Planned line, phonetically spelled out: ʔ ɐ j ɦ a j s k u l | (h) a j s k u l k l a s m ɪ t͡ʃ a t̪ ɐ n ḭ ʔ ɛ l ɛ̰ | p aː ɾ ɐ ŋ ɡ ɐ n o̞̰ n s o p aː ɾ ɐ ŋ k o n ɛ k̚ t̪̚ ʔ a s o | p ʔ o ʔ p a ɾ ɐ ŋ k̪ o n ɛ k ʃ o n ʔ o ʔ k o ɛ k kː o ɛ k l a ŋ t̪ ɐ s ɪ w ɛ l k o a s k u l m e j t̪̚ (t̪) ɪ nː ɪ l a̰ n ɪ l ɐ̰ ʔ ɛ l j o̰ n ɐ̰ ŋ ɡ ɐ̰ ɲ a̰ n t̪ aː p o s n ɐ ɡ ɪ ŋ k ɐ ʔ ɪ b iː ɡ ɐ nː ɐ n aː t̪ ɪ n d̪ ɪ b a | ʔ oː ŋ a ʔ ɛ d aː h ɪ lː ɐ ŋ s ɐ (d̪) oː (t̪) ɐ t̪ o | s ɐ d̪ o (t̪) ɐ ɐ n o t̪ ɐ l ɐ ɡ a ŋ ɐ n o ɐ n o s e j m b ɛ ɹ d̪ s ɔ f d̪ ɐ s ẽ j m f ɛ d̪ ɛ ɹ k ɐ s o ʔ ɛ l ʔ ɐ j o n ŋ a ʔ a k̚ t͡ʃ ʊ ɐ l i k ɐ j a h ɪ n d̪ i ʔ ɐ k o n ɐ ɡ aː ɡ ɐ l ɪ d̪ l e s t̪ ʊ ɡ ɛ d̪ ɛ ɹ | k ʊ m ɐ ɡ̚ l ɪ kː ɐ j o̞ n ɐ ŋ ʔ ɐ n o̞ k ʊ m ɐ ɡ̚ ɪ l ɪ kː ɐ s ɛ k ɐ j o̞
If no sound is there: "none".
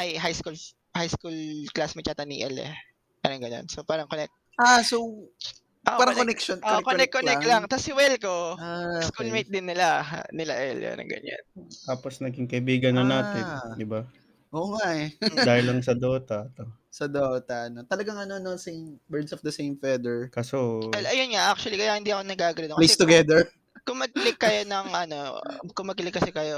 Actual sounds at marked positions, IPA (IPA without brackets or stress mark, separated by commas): h, d̪, d̪, t̪, t̪